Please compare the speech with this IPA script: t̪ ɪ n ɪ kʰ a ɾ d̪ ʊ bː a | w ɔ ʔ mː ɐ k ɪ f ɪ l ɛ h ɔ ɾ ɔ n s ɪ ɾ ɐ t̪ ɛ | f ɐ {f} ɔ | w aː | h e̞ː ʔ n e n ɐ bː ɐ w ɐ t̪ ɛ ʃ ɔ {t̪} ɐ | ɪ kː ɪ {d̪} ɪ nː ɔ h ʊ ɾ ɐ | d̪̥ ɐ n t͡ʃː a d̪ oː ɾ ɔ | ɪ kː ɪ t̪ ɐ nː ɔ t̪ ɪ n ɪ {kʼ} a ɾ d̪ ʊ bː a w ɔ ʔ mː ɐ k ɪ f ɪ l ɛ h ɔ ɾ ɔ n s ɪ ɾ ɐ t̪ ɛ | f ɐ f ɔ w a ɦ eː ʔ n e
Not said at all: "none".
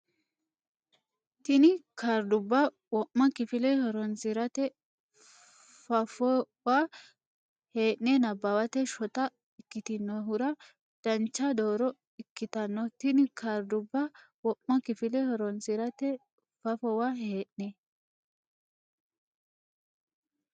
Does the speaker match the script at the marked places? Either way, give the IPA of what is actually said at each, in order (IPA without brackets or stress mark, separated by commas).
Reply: f, t̪, t̪, k